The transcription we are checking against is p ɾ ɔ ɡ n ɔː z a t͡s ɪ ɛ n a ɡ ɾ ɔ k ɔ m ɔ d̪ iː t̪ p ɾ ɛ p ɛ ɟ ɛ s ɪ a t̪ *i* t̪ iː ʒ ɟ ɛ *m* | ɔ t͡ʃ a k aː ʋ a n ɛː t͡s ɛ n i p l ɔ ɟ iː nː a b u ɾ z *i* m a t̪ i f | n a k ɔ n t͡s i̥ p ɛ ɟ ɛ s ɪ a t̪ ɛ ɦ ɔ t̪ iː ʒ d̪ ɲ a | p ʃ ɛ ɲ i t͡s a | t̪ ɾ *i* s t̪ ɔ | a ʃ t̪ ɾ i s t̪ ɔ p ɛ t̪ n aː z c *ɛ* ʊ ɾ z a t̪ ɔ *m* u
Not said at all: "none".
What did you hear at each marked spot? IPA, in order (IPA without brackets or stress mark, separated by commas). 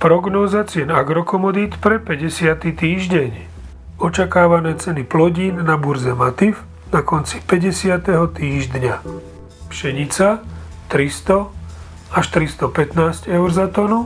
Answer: i, ɲ, ɛ, i, ɛ, n